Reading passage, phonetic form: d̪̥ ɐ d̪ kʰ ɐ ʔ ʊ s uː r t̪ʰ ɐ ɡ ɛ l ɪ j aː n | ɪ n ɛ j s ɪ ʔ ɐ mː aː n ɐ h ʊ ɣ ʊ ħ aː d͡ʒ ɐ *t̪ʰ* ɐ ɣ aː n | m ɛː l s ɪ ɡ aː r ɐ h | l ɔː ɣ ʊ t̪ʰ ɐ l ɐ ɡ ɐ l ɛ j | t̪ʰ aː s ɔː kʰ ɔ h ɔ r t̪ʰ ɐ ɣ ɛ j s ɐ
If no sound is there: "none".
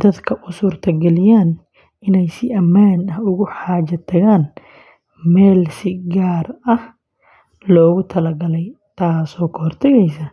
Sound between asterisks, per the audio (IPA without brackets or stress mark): t̪ʰ